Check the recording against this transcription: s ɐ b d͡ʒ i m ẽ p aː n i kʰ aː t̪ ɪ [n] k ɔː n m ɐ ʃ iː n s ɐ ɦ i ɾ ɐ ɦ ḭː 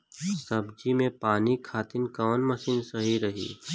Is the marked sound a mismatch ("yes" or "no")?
no